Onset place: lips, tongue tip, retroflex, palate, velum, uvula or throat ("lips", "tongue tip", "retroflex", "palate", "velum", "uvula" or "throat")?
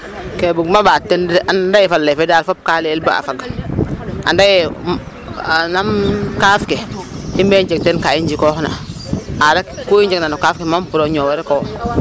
velum